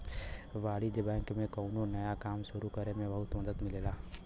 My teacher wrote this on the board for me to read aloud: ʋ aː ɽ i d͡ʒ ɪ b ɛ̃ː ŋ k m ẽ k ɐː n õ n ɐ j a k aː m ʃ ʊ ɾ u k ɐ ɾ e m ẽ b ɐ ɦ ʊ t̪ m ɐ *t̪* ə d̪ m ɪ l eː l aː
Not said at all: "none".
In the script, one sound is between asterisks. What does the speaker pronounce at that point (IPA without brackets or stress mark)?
d̪